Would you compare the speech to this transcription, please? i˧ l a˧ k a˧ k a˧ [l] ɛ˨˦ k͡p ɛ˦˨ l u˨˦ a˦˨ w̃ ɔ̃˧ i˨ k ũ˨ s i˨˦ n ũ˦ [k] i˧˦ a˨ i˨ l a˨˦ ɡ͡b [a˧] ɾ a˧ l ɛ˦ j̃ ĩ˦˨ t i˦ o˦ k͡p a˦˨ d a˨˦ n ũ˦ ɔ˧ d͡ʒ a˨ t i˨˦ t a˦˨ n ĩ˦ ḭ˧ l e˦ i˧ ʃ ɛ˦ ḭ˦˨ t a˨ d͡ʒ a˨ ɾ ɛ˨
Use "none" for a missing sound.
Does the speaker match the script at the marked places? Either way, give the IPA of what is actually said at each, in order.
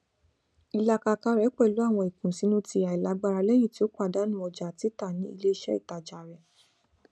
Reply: ɾ, t, a˧

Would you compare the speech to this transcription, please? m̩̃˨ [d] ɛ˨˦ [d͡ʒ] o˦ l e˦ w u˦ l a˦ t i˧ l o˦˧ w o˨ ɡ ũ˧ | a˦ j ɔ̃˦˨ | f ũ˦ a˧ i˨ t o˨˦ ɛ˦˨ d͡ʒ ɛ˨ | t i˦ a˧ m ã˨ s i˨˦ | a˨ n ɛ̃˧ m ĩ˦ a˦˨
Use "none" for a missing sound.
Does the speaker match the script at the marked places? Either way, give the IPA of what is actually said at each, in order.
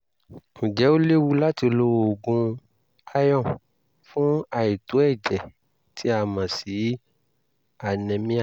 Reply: d͡ʒ, none

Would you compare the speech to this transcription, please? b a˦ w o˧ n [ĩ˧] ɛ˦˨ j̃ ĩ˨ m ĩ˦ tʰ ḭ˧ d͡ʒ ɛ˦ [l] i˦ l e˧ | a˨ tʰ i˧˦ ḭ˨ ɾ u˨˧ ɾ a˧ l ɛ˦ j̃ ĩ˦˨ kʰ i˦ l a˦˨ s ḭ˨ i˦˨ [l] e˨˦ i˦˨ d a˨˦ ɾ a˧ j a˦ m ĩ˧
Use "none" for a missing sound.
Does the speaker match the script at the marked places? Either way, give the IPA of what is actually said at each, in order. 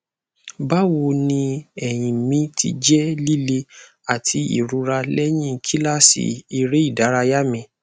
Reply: ĩ˧, l, ɾ

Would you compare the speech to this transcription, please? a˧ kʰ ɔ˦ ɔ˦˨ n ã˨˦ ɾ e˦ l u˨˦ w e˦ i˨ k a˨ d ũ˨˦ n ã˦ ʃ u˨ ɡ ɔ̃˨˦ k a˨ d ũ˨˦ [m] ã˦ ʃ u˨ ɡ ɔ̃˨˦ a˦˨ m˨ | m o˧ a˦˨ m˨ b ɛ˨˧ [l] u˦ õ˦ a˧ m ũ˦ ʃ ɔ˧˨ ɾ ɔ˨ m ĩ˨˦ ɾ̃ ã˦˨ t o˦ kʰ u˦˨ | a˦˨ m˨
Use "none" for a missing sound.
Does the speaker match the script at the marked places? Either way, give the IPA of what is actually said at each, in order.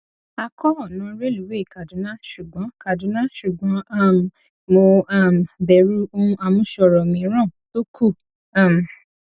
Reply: n, ɾ

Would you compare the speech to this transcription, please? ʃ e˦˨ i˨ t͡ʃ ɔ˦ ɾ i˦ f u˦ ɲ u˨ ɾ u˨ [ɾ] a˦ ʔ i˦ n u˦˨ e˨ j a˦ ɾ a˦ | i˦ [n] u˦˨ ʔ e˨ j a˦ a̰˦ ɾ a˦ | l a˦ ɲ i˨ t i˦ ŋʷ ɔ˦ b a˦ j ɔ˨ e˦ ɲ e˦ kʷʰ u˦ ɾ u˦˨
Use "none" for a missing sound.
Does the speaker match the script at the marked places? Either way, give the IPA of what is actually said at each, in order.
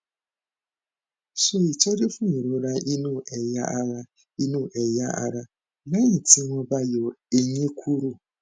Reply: ɾ, n

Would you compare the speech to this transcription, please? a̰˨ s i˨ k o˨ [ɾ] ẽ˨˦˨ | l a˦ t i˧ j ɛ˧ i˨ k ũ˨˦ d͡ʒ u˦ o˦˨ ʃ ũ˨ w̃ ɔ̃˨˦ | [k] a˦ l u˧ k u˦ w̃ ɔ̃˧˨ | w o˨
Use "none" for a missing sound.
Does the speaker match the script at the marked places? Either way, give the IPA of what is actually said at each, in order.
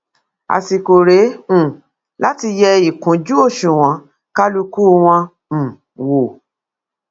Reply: ɾ, k

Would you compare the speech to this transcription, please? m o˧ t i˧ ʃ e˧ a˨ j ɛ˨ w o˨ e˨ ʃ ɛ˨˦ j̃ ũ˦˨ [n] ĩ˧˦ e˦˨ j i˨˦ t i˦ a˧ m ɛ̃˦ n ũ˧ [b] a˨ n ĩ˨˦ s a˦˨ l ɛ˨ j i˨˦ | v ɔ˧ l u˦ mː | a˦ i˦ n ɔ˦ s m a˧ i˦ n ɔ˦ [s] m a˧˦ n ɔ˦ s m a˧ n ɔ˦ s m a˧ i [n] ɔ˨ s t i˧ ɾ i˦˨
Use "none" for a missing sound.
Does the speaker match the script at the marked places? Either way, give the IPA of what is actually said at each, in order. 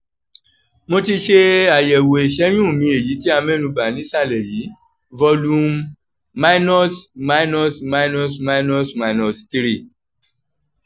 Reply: m, b, s, n

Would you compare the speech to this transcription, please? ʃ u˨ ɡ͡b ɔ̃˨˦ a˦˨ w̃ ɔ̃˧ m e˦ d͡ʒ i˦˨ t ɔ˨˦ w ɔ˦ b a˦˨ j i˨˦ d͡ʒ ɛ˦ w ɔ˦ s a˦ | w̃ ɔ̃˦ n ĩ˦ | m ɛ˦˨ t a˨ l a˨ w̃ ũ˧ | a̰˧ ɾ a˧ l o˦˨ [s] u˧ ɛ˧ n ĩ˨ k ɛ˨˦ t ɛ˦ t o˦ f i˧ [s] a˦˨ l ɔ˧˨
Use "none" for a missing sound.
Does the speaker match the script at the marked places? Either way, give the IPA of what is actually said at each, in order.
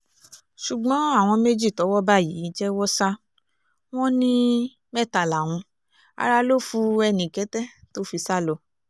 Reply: f, s

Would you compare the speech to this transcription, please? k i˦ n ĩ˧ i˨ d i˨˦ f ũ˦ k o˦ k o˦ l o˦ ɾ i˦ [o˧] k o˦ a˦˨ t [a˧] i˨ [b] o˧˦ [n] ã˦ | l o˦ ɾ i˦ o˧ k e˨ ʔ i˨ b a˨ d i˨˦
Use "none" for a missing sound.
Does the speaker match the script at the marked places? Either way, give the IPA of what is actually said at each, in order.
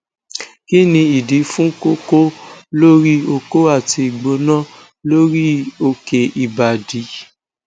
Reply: o˧, i˧, ɡ͡b, n

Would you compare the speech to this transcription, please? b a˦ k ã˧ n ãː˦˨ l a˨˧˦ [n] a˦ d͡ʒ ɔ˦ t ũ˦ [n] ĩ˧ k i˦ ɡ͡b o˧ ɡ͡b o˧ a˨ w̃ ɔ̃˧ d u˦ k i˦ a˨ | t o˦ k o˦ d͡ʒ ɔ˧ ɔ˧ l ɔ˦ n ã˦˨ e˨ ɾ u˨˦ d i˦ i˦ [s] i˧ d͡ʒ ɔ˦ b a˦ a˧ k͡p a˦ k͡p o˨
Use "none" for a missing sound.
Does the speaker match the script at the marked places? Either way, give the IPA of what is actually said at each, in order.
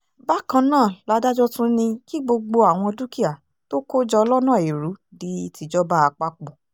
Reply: d, n, t

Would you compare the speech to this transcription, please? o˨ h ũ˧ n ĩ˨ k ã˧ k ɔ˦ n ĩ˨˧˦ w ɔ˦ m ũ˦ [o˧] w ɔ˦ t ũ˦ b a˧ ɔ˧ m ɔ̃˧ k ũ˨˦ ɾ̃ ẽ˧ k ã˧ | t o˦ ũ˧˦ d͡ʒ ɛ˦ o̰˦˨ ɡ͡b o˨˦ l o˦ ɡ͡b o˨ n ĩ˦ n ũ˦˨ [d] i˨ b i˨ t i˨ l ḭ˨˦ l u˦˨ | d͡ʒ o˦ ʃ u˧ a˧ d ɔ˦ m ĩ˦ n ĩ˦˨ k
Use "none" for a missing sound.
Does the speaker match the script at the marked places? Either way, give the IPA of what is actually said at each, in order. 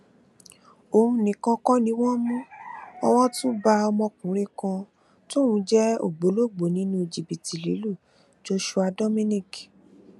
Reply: ɔ˧, d͡ʒ

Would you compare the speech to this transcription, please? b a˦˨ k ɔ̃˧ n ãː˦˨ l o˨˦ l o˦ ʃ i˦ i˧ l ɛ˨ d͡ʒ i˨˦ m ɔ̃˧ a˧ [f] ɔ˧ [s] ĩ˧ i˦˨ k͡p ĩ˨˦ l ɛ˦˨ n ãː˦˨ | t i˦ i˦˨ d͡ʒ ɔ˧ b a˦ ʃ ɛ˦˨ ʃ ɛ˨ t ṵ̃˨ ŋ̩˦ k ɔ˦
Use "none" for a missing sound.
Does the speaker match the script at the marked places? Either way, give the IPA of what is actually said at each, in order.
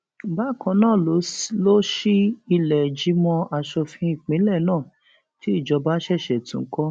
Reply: ʃ, f

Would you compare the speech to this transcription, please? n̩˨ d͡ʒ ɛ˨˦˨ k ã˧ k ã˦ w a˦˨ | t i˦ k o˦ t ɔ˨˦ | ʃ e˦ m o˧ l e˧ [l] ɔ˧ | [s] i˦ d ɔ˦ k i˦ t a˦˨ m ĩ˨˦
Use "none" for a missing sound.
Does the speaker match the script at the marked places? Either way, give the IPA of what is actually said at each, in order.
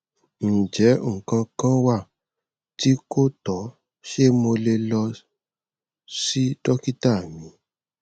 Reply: l, s

